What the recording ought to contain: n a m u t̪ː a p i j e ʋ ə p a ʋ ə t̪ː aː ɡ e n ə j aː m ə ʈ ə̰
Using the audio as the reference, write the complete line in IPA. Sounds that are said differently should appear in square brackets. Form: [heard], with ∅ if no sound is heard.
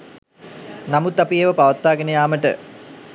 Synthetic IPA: n a m u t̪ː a p i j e ʋ ə p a ʋ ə t̪ː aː ɡ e n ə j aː m ə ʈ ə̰